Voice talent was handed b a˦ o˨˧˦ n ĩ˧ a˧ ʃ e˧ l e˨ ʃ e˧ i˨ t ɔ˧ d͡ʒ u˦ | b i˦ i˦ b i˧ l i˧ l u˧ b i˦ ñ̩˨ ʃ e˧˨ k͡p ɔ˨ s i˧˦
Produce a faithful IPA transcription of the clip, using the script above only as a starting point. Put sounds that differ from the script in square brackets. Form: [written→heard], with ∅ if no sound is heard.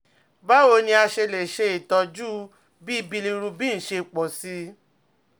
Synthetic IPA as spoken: b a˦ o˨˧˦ n ĩ˧ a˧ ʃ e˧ l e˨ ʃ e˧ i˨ t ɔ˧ d͡ʒ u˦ | b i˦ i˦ b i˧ l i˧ [l→ɾ] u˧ b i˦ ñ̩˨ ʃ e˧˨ k͡p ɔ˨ s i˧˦